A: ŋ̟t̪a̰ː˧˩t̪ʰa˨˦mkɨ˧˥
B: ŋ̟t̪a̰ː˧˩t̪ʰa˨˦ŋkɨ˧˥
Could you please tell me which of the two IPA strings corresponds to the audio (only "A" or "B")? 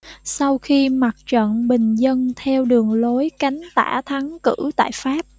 B